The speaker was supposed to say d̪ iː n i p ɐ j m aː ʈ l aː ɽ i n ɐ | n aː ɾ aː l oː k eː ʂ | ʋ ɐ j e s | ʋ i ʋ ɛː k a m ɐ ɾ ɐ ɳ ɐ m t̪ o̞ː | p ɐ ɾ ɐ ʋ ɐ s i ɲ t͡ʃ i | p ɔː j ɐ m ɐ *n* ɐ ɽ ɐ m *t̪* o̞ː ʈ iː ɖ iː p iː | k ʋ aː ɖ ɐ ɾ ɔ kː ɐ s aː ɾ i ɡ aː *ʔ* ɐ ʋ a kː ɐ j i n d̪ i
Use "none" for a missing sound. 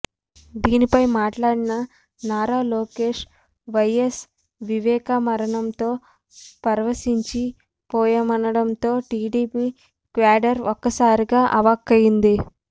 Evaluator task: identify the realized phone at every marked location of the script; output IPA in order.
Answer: n, t̪, ʔ

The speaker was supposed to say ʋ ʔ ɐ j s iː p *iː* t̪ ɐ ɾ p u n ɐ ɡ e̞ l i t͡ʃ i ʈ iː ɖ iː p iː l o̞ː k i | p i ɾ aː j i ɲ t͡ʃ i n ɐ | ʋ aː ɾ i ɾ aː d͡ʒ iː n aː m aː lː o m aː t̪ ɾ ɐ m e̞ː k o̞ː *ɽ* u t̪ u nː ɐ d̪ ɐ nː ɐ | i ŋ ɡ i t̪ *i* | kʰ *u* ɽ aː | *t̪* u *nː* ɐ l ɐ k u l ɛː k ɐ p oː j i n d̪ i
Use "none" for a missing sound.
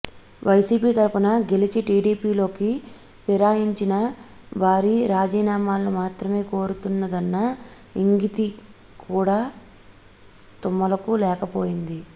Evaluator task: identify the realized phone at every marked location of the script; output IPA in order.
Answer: iː, ɾ, i, uː, t̪, mː

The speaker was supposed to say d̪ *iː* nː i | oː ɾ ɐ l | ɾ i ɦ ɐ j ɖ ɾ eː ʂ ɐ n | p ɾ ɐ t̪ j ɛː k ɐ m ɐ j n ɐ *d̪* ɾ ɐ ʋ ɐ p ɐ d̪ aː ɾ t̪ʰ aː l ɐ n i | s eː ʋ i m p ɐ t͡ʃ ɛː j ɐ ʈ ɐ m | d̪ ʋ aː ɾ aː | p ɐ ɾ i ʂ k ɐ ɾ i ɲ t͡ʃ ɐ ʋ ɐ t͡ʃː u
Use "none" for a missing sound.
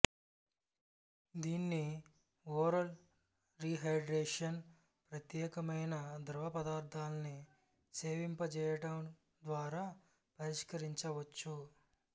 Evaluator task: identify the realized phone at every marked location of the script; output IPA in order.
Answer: iː, d̪

